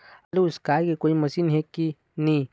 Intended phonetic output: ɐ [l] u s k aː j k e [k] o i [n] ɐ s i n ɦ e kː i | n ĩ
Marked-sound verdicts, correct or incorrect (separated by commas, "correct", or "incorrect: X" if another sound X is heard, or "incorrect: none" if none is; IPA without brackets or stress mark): correct, correct, incorrect: m